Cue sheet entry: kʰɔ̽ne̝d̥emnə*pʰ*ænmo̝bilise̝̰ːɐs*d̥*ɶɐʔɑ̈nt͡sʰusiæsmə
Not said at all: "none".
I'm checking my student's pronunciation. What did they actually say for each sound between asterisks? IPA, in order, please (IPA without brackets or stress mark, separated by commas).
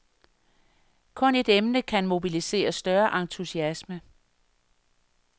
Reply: kʰ, d̥